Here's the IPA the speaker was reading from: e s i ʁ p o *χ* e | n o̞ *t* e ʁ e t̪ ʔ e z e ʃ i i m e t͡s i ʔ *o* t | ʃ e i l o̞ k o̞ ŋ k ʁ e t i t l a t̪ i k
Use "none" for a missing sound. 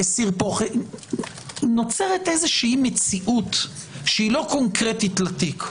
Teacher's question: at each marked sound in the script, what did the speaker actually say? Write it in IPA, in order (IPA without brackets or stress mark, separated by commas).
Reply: χ, t͡s, u